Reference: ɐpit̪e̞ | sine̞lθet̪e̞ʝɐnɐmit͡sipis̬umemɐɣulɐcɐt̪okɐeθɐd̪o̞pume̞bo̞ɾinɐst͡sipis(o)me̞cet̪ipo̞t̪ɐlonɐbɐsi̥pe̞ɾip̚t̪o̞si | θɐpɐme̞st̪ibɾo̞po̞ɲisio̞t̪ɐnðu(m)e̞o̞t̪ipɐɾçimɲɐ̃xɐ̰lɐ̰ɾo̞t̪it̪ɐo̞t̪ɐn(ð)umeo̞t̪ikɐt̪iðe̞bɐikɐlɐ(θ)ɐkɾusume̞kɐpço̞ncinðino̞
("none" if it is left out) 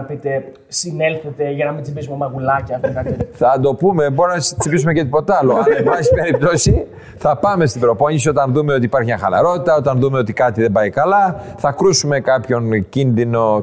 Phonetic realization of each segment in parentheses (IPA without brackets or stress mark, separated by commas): u, m, ð, θ